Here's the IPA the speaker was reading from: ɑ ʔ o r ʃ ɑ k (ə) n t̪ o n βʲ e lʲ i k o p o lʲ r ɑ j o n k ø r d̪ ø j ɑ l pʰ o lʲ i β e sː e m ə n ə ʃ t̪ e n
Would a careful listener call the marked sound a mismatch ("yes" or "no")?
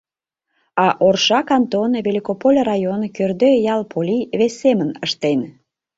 yes